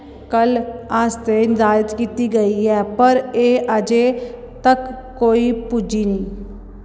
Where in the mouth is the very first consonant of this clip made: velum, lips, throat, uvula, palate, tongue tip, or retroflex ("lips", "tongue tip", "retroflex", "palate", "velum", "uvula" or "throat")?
velum